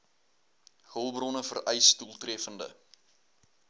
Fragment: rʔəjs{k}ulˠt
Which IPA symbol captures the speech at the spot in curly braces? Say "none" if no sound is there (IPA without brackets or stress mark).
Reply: t